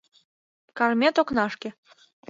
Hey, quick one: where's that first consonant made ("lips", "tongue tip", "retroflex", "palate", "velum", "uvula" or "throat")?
velum